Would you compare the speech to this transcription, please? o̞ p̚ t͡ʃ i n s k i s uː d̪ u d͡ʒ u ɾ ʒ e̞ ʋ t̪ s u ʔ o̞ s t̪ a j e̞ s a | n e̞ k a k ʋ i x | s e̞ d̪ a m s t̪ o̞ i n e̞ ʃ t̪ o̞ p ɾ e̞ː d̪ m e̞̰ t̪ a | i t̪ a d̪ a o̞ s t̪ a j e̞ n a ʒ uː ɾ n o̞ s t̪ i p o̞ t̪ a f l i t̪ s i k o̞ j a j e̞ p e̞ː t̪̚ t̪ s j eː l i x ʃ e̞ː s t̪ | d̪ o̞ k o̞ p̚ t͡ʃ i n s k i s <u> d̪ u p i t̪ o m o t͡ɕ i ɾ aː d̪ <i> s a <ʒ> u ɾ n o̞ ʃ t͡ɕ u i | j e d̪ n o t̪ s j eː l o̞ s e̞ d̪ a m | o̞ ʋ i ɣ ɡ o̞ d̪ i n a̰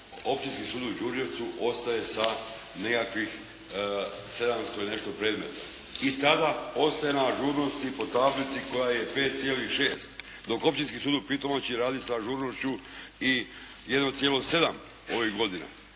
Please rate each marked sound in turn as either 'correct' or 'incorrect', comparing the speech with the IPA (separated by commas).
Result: incorrect, correct, correct